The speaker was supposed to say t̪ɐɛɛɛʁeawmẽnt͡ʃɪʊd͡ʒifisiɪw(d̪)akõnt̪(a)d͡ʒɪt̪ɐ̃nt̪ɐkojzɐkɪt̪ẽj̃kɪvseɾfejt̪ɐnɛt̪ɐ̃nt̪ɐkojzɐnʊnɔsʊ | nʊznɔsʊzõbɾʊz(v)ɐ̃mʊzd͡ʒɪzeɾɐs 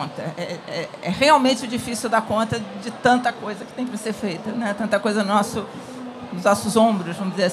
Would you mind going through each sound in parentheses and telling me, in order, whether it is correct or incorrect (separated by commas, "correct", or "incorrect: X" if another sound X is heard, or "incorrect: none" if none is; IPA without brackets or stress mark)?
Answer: correct, incorrect: ɐ, correct